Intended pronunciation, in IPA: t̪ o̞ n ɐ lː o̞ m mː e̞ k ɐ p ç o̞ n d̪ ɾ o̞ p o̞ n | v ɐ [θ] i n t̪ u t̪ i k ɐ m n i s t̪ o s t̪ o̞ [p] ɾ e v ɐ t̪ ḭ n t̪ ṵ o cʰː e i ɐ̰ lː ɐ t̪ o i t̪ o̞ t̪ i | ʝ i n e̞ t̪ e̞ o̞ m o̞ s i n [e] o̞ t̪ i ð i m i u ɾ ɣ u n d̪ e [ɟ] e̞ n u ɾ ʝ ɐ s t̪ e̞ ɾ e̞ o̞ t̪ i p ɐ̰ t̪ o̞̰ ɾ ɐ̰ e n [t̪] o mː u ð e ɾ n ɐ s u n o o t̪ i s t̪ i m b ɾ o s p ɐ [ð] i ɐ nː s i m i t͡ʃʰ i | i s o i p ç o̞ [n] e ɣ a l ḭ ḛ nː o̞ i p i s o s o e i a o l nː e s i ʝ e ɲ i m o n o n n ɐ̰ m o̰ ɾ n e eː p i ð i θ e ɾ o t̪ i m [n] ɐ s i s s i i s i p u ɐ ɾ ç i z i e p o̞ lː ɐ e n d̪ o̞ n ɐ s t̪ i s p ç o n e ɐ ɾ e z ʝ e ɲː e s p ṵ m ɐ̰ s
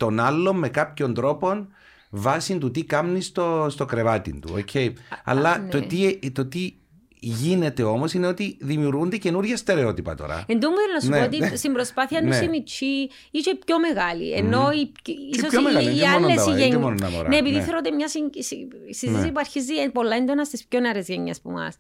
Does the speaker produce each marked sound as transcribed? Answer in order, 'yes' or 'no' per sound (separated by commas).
no, no, yes, no, no, no, no, no